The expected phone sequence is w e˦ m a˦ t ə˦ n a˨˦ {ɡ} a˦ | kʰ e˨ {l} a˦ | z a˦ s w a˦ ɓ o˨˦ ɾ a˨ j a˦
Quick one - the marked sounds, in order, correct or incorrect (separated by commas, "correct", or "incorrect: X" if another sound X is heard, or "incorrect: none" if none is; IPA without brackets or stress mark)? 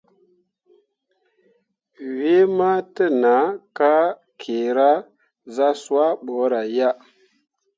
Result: incorrect: k, incorrect: ɾ